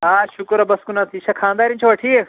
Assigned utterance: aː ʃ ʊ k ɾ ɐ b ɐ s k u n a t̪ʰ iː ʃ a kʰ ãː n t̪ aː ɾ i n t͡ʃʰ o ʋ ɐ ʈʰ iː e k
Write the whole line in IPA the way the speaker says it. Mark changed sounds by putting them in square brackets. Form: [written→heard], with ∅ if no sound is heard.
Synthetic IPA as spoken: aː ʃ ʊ k ɾ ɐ b ɐ s k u n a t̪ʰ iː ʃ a kʰ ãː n [t̪→d̪] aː ɾ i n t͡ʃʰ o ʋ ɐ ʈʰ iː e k